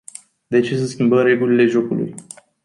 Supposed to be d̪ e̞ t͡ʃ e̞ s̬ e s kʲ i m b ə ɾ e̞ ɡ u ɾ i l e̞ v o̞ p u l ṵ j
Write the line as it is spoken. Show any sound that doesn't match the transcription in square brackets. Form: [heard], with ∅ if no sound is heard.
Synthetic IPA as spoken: d̪ e̞ t͡ʃ e̞ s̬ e s kʲ i m b ə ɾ e̞ ɡ u [l] i l e̞ [ʒ] o̞ [k] u l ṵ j